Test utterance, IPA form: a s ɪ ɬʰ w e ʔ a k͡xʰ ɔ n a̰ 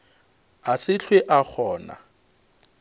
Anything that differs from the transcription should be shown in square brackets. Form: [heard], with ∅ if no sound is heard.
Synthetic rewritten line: a s ɪ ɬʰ w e ʔ a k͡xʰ [ɔː] n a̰

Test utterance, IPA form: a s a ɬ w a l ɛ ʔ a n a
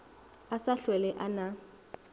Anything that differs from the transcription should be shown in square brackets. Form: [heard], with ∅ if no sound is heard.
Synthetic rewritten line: a s a ɬ w [ɛ] l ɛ ʔ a n a

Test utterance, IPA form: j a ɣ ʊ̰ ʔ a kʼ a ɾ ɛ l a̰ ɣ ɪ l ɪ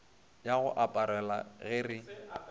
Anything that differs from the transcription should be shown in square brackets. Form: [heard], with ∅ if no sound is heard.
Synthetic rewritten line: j a ɣ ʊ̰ ʔ a [pʼ] a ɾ ɛ l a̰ ɣ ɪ [r] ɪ

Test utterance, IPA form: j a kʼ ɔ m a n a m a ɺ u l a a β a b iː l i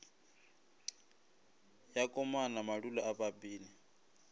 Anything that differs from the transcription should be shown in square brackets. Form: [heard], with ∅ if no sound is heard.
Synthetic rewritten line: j a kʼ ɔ m a n a m a ɺ u l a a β a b iː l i

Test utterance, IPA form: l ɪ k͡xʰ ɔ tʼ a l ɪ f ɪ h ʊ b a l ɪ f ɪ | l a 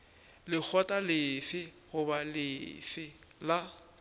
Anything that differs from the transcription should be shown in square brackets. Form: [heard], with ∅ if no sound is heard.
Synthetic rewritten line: l ɪ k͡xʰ ɔ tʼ a l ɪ f ɪ h ʊ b a l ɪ f ɪ | l a

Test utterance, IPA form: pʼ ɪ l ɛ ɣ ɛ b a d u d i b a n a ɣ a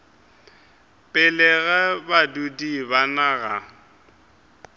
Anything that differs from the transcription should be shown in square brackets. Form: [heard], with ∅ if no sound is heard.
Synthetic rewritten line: pʼ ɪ l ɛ ɣ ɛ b a d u d i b a n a ɣ a

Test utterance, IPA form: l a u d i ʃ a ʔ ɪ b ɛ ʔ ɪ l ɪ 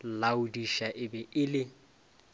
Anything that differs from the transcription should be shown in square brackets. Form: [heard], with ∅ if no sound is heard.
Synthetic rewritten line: l a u d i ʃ a ʔ ɪ b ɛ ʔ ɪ l ɪ

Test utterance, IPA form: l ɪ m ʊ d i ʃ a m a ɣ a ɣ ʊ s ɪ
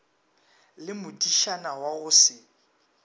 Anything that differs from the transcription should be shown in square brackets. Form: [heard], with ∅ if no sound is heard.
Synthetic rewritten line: l ɪ m ʊ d i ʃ a [n] a [w] a ɣ ʊ s ɪ

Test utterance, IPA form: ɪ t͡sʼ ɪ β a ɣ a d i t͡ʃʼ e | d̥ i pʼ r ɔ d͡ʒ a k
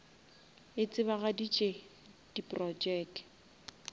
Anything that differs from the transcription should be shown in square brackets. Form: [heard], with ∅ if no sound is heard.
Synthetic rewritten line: ɪ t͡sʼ ɪ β a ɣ a d i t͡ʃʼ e | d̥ i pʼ r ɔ d͡ʒ [ɛ] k

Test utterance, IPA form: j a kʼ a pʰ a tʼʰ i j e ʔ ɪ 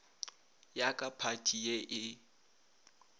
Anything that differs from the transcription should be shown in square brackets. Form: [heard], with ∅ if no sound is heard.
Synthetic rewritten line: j a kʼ a pʰ a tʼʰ i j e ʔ ɪ

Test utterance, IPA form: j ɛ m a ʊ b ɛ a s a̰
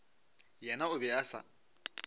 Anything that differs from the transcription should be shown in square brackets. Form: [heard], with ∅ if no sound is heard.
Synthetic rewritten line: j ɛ [n] a ʊ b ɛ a s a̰

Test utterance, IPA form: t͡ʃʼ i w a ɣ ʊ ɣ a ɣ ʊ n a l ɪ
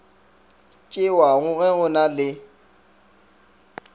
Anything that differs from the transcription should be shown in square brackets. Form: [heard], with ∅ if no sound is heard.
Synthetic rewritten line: t͡ʃʼ [ɪ] w a ɣ ʊ ɣ [ɛ] ɣ ʊ n a l ɪ

